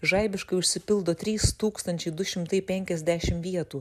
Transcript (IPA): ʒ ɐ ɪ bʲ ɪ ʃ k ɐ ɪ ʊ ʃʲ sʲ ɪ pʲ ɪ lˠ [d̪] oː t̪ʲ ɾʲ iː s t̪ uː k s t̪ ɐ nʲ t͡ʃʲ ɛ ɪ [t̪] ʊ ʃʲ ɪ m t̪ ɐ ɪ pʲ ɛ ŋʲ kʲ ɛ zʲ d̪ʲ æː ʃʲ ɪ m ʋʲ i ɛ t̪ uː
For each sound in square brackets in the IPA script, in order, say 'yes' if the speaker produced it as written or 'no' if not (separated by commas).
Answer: yes, no